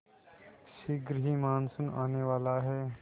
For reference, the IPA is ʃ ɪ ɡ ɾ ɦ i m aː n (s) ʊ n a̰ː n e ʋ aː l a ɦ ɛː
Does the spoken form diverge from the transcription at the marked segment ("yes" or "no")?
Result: no